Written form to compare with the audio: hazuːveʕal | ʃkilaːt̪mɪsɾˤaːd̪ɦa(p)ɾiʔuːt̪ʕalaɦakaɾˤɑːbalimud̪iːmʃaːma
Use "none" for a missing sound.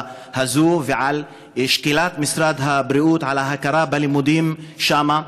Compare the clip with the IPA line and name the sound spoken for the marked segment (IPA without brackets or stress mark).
b